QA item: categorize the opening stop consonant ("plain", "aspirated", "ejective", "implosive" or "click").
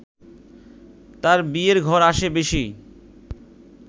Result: plain